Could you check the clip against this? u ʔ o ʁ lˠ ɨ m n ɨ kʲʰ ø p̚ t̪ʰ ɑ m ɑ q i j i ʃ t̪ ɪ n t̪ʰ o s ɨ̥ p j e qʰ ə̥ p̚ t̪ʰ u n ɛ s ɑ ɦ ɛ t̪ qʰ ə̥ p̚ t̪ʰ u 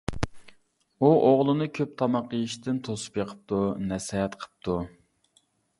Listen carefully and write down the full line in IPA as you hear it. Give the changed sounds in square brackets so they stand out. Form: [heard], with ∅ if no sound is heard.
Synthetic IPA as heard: u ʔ o ʁ lˠ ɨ [∅] n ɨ kʲʰ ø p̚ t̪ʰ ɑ m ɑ q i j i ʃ t̪ ɪ n t̪ʰ o s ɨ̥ p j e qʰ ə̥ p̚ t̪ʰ u n ɛ s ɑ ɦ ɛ t̪ qʰ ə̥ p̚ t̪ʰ u